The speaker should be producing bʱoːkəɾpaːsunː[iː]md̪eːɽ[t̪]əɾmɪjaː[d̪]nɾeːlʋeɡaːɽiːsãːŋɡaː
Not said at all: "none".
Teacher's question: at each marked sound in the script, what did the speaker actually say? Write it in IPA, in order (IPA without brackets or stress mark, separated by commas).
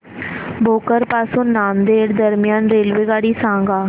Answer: aː, d̪, none